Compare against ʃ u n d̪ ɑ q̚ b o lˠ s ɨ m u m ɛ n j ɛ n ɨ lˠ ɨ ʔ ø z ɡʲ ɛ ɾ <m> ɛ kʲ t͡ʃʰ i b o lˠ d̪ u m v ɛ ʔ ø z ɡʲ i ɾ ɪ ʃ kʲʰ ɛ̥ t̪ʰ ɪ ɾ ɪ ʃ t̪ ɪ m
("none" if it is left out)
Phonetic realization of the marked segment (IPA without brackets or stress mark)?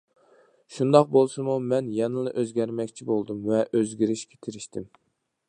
m